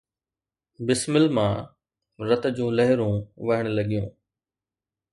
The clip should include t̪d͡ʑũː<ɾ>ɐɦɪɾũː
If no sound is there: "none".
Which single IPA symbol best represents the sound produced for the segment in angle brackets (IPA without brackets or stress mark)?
l